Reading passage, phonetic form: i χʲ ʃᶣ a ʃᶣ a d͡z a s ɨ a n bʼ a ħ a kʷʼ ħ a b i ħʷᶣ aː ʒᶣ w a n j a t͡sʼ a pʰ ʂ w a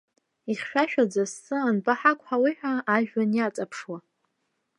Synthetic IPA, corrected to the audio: i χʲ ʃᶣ a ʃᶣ a d͡z a s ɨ a n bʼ a ħ a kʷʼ ħ a w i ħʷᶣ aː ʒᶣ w a n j a t͡sʼ a pʰ ʂ w a